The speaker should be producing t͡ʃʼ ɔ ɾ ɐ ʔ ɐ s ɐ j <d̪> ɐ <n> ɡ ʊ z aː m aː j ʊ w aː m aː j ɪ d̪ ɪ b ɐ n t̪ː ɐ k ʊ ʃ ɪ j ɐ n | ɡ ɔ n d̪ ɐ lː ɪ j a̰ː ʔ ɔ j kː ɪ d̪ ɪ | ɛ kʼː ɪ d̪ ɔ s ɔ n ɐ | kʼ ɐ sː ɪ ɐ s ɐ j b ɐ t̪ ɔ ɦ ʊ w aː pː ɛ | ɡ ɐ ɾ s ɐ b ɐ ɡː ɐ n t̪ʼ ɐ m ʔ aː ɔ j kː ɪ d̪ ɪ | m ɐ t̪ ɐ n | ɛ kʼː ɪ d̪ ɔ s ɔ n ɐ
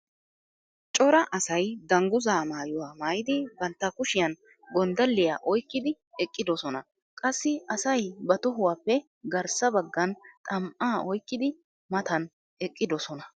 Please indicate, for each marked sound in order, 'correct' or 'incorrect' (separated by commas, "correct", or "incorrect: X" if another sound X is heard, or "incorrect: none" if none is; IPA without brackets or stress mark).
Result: correct, incorrect: ŋ